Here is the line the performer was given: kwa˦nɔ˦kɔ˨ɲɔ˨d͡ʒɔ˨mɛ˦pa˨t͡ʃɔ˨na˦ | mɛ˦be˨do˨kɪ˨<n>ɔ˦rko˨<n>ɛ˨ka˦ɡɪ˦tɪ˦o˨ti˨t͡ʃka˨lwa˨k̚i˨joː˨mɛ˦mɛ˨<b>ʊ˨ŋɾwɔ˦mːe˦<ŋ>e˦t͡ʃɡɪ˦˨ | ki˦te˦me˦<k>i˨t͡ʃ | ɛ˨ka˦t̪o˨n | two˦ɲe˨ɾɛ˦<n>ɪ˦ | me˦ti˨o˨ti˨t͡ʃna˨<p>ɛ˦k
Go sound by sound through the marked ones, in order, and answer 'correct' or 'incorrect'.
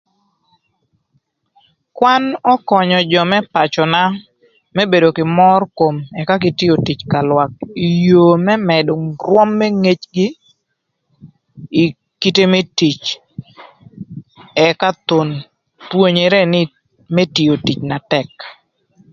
incorrect, incorrect, incorrect, correct, incorrect, correct, incorrect

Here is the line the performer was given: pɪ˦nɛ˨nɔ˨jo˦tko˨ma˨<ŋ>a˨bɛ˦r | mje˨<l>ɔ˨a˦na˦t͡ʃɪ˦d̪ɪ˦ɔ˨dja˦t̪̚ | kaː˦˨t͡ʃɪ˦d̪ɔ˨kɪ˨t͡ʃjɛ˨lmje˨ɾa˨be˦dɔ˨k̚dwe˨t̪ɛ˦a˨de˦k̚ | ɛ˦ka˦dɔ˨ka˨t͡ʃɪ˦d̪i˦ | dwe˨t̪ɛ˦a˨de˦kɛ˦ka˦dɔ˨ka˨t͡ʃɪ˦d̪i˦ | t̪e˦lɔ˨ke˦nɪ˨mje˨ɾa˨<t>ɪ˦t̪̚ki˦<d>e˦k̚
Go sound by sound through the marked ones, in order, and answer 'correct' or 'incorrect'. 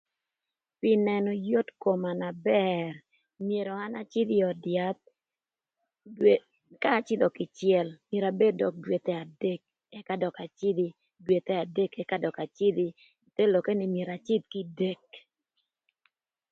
incorrect, incorrect, incorrect, correct

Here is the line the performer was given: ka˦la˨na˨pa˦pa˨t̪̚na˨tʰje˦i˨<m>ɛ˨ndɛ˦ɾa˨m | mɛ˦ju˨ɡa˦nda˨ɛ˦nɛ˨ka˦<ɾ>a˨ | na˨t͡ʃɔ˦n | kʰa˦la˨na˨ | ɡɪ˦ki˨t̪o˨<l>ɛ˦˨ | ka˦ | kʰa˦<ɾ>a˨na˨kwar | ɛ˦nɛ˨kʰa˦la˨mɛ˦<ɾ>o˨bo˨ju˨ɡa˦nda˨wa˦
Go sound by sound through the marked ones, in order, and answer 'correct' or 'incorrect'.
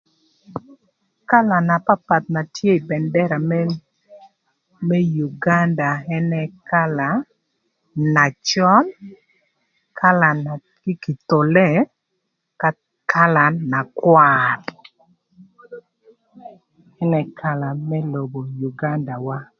incorrect, incorrect, correct, incorrect, incorrect

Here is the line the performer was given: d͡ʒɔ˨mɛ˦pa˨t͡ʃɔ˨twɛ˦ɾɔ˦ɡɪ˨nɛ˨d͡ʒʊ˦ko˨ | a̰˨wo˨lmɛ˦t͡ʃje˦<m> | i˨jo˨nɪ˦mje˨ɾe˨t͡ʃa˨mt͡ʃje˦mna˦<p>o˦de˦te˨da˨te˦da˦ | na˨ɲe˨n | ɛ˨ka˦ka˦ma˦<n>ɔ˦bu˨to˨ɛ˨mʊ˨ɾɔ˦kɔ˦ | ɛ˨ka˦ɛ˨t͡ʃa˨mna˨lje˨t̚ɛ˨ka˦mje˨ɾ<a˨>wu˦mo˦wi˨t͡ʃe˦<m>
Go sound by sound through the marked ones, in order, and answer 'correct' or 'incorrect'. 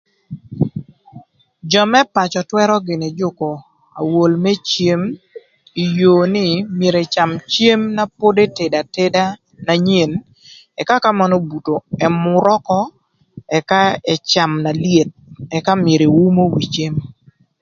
correct, correct, correct, incorrect, correct

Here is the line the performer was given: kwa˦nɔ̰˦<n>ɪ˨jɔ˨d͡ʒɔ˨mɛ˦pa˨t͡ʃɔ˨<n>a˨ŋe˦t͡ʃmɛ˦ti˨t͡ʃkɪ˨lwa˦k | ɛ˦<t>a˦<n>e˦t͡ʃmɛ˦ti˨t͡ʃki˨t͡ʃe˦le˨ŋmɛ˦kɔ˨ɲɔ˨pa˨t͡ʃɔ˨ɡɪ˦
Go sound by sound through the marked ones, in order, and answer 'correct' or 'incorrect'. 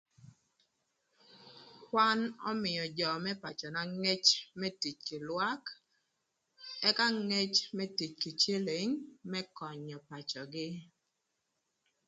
incorrect, correct, incorrect, incorrect

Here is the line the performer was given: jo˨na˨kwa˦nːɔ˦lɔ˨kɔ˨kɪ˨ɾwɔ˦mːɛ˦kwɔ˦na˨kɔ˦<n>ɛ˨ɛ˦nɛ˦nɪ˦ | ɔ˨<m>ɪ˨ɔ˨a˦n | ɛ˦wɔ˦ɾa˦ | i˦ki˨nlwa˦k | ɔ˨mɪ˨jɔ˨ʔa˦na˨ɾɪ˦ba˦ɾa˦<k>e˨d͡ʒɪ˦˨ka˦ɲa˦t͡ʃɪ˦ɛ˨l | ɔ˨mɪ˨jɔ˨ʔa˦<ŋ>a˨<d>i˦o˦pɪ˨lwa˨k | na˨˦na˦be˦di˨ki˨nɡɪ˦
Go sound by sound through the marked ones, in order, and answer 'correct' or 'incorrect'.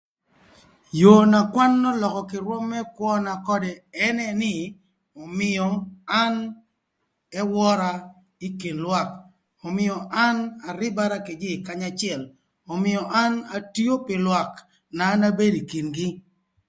incorrect, correct, correct, incorrect, incorrect

